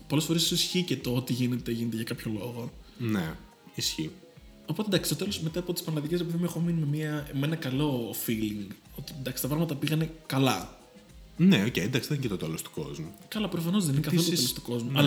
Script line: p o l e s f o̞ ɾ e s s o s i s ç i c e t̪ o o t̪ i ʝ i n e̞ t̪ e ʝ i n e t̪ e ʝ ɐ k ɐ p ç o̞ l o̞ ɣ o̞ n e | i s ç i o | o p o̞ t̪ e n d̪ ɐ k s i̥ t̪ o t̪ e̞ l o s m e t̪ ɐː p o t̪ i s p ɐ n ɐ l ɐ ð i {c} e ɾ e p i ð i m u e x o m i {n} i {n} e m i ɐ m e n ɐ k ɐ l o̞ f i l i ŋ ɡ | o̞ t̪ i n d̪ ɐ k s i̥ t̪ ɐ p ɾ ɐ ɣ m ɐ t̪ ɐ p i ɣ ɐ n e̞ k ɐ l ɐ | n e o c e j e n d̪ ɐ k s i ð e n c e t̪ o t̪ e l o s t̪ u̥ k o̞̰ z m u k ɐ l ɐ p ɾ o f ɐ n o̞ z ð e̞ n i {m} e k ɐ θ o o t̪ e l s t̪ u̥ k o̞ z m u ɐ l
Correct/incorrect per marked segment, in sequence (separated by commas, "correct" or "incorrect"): correct, correct, incorrect, incorrect